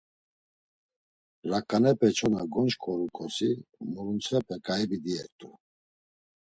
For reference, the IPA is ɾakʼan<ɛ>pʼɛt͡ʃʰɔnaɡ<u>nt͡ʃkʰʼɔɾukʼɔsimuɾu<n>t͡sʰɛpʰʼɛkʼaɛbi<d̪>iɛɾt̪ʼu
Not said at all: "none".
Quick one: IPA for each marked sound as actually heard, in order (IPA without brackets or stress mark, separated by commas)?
ɛ, ɔ, n, d̪